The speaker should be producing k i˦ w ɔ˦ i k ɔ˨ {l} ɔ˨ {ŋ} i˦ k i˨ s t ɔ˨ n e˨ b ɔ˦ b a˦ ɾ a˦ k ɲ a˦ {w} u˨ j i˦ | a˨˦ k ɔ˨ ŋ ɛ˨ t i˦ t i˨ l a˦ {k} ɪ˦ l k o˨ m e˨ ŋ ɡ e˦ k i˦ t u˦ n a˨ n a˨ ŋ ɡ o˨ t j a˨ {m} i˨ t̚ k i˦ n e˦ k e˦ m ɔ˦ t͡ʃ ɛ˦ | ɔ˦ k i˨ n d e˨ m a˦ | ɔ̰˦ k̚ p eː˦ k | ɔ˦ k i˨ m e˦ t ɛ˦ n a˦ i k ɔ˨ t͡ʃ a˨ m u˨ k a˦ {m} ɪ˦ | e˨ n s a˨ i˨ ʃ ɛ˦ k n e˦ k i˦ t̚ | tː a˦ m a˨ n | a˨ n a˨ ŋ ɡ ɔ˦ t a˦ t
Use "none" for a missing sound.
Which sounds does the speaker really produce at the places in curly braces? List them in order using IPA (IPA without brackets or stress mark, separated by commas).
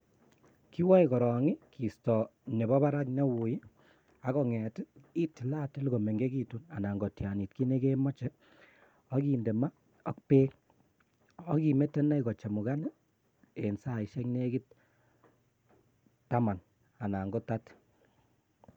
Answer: ɾ, ŋ, w, t, n, n